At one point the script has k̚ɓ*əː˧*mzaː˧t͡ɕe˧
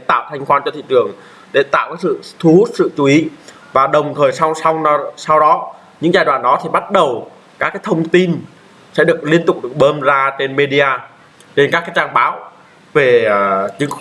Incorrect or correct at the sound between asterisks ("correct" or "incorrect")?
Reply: correct